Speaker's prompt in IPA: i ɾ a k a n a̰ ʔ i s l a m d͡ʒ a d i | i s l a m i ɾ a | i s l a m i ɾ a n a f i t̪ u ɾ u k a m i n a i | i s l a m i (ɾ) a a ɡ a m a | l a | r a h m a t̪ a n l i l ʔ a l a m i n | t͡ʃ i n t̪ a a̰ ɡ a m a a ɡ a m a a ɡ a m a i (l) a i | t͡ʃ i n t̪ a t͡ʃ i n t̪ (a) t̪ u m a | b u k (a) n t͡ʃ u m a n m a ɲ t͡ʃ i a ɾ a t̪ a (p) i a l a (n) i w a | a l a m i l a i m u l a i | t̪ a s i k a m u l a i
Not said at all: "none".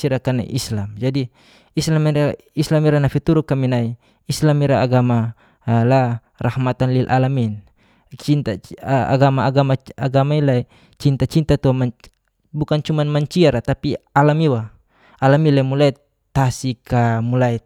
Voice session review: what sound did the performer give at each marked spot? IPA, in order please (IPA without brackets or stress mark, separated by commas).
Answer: ɾ, l, a, a, p, m